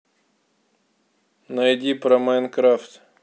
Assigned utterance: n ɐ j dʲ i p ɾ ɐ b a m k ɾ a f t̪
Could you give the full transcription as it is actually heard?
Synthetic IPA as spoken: n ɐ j dʲ i p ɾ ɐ m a n k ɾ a f t̪